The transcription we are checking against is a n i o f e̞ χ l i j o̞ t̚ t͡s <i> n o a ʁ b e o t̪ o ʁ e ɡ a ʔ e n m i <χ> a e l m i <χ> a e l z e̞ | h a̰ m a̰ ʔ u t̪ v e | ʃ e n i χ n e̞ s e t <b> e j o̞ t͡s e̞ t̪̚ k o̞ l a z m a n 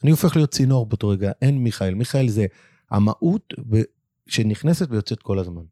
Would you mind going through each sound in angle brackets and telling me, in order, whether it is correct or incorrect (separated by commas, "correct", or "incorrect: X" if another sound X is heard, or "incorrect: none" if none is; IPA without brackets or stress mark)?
correct, correct, correct, incorrect: v